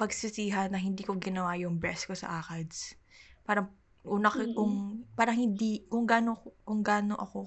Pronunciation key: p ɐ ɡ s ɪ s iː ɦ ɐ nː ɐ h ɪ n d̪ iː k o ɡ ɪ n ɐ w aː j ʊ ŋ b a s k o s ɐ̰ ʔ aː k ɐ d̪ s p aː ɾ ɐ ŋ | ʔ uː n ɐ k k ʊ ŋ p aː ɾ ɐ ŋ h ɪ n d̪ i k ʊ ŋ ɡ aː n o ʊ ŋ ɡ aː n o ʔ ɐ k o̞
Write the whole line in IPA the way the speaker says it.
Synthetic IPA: p ɐ ɡ s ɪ s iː ɦ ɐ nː ɐ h ɪ n d̪ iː k o ɡ ɪ n ɐ w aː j ʊ ŋ b ɛ s k o s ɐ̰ ʔ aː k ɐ d̪ s p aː ɾ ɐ ŋ | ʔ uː n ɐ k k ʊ ŋ p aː ɾ ɐ ŋ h ɪ n d̪ i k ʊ ŋ ɡ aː n o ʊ ŋ ɡ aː n o ʔ ɐ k o̞